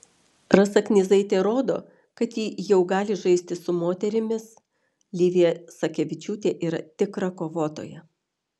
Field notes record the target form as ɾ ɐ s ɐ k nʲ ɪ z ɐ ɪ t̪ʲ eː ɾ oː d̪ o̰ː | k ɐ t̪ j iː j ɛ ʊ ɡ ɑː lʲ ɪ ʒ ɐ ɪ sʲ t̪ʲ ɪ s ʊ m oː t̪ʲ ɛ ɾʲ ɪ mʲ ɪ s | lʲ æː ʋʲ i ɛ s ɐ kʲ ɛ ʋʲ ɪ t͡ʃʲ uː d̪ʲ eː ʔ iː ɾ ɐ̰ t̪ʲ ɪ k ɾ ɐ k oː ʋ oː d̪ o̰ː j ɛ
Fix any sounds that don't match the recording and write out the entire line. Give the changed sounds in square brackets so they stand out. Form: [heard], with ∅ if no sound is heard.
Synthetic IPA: ɾ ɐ s ɐ k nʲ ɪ z ɐ ɪ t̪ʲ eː ɾ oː d̪ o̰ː | k ɐ t̪ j iː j ɛ ʊ ɡ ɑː lʲ ɪ ʒ ɐ ɪ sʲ t̪ʲ ɪ s ʊ m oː t̪ʲ ɛ ɾʲ ɪ mʲ ɪ s | lʲ [iː] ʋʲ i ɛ s ɐ kʲ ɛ ʋʲ ɪ t͡ʃʲ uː [t̪ʲ] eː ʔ iː ɾ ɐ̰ t̪ʲ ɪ k ɾ ɐ k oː ʋ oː [t̪] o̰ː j ɛ